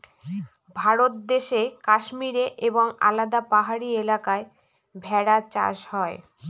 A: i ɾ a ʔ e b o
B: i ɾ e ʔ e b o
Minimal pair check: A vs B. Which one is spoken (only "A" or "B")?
B